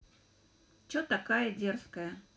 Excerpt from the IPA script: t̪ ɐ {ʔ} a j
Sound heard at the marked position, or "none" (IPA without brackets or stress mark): k